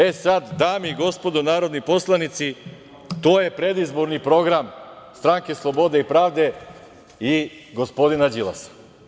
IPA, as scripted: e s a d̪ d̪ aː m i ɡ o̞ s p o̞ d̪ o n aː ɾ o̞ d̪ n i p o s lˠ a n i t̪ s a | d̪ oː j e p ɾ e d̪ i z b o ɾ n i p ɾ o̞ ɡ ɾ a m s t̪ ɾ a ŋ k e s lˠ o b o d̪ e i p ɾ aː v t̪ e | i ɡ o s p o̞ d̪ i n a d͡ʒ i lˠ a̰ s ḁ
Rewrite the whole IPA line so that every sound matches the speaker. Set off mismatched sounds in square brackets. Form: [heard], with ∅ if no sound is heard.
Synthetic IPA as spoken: e s a d̪ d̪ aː m i ɡ o̞ s p o̞ d̪ o n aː ɾ o̞ d̪ n i p o s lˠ a n i t̪ s [i] | [t̪] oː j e p ɾ e d̪ i z b o ɾ n i p ɾ o̞ ɡ ɾ a m s t̪ ɾ a ŋ k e s lˠ o b o d̪ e i p ɾ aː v [d̪] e | i ɡ o s p o̞ d̪ i n a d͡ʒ i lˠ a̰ s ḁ